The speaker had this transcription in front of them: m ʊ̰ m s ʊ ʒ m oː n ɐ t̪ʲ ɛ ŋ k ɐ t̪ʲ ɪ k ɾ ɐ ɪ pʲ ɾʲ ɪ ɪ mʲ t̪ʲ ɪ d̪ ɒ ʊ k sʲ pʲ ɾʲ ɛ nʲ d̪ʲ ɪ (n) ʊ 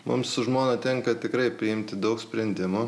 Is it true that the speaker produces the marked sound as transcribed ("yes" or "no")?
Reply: no